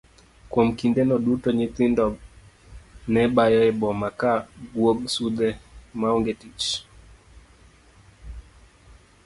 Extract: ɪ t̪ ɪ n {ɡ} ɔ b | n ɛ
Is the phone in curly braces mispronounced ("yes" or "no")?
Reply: yes